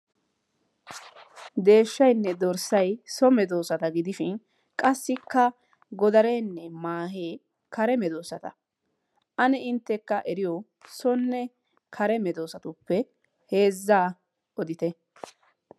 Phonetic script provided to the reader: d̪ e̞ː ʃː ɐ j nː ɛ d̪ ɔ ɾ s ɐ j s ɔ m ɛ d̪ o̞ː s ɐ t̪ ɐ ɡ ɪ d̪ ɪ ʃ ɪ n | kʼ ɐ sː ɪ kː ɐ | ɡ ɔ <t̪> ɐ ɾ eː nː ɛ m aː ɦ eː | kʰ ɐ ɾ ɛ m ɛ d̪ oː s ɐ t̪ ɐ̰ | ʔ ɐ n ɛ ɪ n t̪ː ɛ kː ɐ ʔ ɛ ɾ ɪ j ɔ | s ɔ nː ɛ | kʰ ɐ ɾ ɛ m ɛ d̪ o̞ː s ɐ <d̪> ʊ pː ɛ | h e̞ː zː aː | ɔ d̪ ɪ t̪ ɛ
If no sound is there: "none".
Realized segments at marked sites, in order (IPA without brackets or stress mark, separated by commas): d̪, t̪